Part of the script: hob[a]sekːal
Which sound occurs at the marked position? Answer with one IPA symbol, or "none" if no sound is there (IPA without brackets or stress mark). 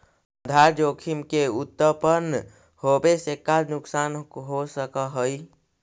e